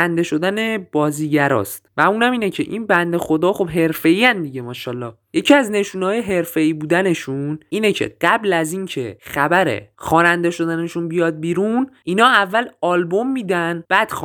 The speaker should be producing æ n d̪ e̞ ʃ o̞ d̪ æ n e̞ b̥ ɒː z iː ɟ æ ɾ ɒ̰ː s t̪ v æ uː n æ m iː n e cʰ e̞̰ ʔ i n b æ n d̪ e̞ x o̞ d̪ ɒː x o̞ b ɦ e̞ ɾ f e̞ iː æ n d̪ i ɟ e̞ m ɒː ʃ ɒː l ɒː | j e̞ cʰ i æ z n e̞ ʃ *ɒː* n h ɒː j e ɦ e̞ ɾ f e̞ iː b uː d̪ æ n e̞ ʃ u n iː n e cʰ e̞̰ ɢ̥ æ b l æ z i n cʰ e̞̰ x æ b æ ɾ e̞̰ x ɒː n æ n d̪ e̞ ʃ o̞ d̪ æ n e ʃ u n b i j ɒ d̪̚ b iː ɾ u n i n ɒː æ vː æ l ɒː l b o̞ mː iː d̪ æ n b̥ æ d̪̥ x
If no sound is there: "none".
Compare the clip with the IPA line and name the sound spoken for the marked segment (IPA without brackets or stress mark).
uː